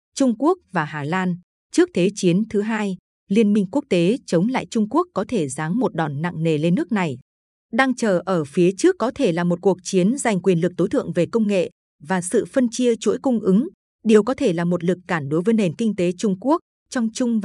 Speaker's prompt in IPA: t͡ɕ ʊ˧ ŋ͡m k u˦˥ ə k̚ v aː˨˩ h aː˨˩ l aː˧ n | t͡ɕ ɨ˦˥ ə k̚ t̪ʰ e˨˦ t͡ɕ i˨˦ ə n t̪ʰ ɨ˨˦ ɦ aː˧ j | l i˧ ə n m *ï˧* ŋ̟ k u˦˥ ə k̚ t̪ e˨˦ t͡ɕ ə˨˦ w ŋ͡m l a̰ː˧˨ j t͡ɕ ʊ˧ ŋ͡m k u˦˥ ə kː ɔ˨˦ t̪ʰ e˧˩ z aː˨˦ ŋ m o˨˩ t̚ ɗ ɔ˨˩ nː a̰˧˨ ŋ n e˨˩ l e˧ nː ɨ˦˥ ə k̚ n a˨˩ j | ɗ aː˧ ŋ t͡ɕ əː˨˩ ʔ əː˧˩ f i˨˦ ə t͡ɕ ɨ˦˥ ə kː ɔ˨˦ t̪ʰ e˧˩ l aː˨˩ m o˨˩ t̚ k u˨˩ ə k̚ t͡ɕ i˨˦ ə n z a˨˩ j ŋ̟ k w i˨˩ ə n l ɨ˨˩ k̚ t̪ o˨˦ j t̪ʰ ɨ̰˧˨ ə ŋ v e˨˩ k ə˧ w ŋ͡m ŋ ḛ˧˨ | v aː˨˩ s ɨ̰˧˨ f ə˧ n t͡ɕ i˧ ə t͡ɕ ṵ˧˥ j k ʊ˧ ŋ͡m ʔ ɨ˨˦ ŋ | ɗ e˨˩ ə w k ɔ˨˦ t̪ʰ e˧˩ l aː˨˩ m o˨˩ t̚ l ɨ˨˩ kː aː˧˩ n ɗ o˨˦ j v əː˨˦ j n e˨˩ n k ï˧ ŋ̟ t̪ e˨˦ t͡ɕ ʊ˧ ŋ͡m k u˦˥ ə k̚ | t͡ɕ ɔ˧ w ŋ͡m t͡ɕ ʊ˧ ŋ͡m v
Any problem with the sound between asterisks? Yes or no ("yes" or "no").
no